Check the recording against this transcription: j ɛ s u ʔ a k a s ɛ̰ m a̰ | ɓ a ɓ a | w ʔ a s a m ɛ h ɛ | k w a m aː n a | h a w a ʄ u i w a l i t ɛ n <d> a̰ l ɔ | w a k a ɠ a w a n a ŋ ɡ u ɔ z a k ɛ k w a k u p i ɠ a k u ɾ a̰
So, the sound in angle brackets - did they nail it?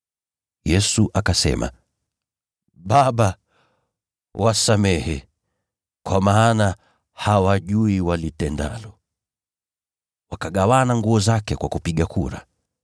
yes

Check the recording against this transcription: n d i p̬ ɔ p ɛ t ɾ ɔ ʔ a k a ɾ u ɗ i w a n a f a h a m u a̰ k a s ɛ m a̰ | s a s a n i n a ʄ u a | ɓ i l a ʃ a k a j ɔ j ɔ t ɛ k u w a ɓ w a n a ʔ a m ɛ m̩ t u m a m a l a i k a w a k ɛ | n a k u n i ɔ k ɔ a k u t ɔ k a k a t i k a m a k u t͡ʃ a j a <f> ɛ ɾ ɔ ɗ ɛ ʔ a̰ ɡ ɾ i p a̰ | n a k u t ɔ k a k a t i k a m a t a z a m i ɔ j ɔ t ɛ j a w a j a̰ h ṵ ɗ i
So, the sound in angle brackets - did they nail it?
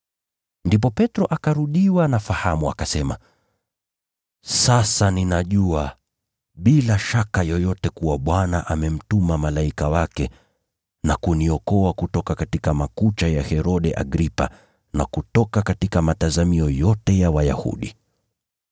no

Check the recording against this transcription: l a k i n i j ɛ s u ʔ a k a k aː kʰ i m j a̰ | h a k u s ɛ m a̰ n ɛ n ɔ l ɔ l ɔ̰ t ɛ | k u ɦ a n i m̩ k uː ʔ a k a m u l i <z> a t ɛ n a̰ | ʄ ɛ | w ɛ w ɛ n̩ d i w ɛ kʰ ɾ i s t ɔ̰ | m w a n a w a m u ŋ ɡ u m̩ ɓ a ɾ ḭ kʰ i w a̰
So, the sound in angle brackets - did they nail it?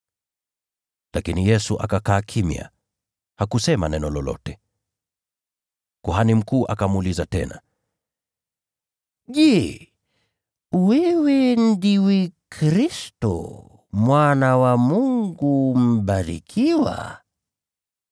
yes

